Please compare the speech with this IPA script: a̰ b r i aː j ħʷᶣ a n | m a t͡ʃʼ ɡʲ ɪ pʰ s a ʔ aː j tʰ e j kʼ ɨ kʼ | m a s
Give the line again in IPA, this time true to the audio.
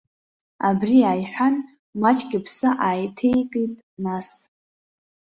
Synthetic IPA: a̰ b r i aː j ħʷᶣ a n | m a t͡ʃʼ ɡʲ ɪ pʰ s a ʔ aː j tʰ e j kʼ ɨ tʼ | n a s